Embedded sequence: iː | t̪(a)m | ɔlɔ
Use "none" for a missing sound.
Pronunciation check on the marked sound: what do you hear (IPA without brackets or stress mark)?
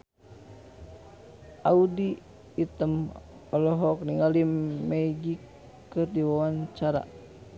ə